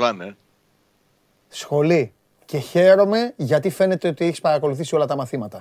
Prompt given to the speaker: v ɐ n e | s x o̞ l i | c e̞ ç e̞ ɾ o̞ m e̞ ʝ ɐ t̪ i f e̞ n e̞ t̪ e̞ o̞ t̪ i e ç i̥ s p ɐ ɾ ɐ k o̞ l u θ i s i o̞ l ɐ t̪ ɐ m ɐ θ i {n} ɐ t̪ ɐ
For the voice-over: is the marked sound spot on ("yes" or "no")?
no